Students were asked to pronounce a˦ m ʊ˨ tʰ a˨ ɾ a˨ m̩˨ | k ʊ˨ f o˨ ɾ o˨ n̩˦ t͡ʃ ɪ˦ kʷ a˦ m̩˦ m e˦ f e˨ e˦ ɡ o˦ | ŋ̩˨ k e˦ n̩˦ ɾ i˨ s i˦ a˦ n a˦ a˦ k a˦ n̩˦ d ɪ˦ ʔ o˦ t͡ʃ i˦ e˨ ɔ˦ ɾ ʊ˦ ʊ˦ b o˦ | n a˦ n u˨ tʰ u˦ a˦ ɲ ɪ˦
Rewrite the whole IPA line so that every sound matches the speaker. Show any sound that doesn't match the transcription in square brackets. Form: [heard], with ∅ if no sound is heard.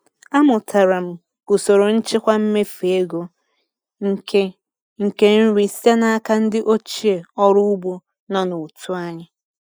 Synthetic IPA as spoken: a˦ m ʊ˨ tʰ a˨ ɾ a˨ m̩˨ | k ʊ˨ [s] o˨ ɾ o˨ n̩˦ t͡ʃ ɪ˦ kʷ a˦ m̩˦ m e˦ f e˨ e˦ ɡ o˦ | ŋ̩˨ k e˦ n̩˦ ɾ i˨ s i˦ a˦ n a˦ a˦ k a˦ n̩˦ d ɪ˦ ʔ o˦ t͡ʃ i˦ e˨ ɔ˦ ɾ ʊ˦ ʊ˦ b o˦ | n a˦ n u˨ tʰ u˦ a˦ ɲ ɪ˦